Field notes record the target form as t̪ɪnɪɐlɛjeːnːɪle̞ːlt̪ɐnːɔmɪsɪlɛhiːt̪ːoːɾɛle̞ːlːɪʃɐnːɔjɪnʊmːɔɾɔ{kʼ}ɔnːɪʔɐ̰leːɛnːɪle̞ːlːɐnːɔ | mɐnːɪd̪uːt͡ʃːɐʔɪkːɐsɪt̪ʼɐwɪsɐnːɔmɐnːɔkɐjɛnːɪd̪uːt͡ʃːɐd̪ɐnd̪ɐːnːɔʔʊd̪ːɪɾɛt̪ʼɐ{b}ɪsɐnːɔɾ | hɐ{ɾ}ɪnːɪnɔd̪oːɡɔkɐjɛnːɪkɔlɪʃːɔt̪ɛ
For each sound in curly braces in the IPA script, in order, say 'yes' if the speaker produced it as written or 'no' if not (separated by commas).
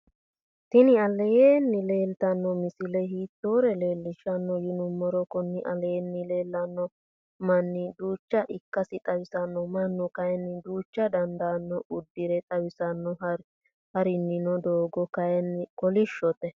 no, no, yes